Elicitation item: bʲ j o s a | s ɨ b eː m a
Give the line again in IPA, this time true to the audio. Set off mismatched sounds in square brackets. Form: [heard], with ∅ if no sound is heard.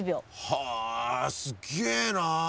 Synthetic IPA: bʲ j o [h] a | s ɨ [ɡ] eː [n] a

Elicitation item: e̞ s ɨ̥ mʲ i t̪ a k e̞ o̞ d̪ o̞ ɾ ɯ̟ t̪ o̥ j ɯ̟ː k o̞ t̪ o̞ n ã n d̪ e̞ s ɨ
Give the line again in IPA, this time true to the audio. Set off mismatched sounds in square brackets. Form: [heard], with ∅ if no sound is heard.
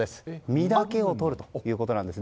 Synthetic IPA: e̞ s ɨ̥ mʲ i [d̪] a k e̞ o̞ [t̪] o̞ ɾ ɯ̟ t̪ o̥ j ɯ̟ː k o̞ t̪ o̞ n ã n d̪ e̞ s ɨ

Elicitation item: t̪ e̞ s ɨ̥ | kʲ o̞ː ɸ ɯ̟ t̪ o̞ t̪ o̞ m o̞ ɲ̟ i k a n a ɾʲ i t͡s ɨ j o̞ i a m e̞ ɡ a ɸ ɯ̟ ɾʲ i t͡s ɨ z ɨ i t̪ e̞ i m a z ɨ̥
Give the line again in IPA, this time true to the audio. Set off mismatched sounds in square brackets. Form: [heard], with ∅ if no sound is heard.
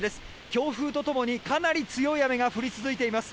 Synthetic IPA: [d̪] e̞ s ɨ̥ | kʲ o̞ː ɸ [ɯ̟ː] t̪ o̞ t̪ o̞ m o̞ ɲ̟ i k a n a ɾʲ i t͡s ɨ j o̞ i a m e̞ ɡ a ɸ ɯ̟ ɾʲ i t͡s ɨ z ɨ i t̪ e̞ i m a [s] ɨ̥

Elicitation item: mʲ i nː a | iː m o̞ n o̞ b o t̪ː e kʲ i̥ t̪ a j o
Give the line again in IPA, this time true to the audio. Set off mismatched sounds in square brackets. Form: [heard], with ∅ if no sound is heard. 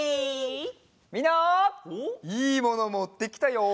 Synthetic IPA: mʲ i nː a | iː m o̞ n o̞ [m] o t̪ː e kʲ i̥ t̪ a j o

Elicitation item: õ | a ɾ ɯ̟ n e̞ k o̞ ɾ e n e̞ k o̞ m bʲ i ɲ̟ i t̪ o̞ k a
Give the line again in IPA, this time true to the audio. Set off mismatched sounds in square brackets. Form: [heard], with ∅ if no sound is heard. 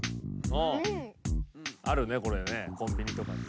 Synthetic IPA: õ | a ɾ ɯ̟ n e̞ k o̞ ɾ e n e̞ k [õ̞] m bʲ i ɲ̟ i t̪ o̞ k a

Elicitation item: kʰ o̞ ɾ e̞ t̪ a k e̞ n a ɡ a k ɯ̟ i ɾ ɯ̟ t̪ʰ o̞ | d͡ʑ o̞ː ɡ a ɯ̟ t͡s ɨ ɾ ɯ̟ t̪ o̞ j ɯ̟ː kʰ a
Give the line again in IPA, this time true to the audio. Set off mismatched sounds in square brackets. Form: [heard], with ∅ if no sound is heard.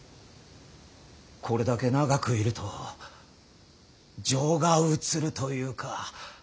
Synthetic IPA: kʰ o̞ ɾ e̞ [d̪] a k e̞ n a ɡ a k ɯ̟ i ɾ ɯ̟ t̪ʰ o̞ | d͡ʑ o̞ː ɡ a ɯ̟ t͡s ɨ ɾ ɯ̟ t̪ o̞ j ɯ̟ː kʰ a

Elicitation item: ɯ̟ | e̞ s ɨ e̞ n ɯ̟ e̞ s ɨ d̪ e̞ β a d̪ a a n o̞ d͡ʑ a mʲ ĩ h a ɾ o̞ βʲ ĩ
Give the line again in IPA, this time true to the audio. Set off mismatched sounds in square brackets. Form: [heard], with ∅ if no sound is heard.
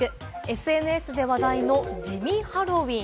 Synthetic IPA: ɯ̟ | e̞ s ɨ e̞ n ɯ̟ e̞ s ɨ d̪ e̞ β a d̪ a [i] n o̞ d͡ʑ [i] mʲ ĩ h a ɾ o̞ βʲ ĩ

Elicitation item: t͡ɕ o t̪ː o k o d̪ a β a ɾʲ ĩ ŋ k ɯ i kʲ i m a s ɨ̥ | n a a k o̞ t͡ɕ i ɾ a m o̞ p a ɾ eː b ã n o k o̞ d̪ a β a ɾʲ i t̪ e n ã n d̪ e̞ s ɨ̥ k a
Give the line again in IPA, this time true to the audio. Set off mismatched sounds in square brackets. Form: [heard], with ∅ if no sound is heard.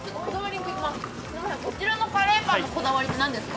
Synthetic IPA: t͡ɕ o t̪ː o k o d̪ a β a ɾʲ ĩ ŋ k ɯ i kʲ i m a s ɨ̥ | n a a k o̞ t͡ɕ i ɾ a [n] o̞ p a ɾ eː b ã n o k o̞ d̪ a β a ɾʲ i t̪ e n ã n d̪ e̞ s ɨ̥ k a

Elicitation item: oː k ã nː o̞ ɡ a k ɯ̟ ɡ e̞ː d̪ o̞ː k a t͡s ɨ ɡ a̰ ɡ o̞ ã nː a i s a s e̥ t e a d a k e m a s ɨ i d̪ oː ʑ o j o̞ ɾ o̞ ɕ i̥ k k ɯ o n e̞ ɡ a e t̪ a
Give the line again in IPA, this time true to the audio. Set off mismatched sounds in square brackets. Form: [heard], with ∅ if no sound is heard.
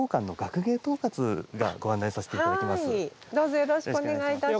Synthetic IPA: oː k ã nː o̞ ɡ a k ɯ̟ ɡ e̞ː [t̪] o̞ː k a t͡s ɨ ɡ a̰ ɡ o̞ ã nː a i s a s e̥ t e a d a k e m a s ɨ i d̪ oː [z] o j o̞ ɾ o̞ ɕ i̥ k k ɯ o n e̞ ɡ a [i] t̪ a

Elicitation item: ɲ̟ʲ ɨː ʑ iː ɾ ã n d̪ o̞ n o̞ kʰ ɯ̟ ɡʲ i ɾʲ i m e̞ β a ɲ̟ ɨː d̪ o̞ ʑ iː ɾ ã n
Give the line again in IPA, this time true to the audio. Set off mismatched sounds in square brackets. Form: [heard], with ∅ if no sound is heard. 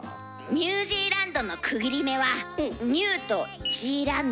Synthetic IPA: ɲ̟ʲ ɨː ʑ iː ɾ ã n d̪ o̞ n o̞ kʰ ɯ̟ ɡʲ i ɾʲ i m e̞ β a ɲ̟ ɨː [t̪] o̞ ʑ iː ɾ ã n

